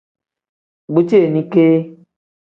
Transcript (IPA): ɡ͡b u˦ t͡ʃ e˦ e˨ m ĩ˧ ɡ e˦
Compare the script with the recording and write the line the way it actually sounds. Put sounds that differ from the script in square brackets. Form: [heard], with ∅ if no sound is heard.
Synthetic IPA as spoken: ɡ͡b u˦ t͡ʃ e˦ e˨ [n] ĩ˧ [k] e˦